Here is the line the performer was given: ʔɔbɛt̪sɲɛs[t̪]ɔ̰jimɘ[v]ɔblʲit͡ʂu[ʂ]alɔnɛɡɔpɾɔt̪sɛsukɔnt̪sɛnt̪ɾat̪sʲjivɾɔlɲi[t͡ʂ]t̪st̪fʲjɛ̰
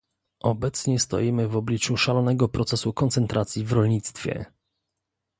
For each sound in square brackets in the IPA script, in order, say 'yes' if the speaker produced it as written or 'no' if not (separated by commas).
yes, yes, yes, no